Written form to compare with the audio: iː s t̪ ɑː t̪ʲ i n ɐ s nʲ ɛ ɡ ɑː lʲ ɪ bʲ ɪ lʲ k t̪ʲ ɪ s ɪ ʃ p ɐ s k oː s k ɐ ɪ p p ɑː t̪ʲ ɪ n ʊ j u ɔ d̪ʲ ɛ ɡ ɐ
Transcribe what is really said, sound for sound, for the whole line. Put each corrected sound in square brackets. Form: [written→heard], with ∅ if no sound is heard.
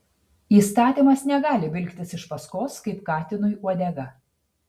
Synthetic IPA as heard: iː s t̪ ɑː t̪ʲ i [n→m] ɐ s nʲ ɛ ɡ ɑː lʲ ɪ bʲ ɪ lʲ k t̪ʲ ɪ s ɪ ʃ p ɐ s k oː s k ɐ ɪ p [p→k] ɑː t̪ʲ ɪ n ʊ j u ɔ d̪ʲ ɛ ɡ ɐ